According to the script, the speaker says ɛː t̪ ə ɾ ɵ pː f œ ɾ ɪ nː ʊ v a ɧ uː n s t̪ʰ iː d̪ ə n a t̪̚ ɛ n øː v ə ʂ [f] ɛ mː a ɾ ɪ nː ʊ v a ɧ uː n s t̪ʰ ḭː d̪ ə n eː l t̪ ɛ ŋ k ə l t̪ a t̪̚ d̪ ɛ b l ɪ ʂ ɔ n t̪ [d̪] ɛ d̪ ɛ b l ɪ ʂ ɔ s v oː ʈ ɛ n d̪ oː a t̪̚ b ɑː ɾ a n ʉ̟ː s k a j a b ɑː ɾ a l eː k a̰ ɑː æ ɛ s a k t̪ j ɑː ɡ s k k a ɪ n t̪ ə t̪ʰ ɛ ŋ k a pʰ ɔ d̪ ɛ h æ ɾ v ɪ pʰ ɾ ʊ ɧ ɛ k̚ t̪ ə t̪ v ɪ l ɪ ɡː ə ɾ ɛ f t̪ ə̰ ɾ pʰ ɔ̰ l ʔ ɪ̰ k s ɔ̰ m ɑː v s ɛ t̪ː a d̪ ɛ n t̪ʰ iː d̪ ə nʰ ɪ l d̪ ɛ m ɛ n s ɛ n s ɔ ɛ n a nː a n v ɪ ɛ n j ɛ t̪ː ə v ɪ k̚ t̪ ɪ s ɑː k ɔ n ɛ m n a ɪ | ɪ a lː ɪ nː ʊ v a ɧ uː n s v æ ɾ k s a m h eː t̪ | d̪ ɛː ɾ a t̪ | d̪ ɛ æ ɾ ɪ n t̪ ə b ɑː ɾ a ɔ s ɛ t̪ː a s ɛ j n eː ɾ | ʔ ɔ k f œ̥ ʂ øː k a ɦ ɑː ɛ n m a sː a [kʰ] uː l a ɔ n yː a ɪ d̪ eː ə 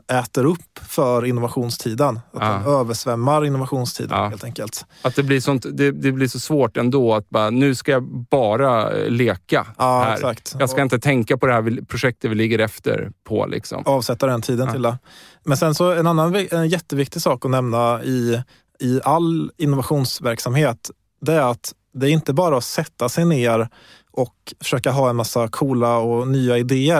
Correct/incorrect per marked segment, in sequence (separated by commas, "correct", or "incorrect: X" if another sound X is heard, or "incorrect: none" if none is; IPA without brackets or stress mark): incorrect: v, correct, correct